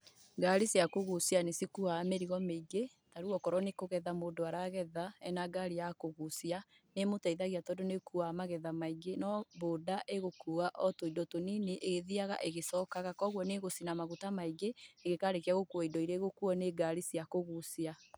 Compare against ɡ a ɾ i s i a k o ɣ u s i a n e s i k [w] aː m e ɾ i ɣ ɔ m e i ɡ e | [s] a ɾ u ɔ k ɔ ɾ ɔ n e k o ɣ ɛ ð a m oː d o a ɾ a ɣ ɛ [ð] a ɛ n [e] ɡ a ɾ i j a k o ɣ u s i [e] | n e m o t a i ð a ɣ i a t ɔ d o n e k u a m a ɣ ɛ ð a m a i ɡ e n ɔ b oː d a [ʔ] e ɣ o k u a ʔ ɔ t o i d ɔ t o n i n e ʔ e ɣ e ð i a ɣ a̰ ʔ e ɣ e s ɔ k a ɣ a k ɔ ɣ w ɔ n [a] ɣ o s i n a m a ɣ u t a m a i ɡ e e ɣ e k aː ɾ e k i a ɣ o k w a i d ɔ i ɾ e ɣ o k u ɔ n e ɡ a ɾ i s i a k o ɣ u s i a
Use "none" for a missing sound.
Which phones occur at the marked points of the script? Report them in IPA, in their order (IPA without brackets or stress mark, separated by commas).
u, t, ð, a, a, ʔ, e